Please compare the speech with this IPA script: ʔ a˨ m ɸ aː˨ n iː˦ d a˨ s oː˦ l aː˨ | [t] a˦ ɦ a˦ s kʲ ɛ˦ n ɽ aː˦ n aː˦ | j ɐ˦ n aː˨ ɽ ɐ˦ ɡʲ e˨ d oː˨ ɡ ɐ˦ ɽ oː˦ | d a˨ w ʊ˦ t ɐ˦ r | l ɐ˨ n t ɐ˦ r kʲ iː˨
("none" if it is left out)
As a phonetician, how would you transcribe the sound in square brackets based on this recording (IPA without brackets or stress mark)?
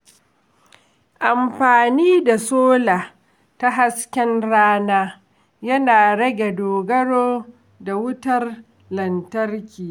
t